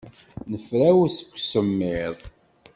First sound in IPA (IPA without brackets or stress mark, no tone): n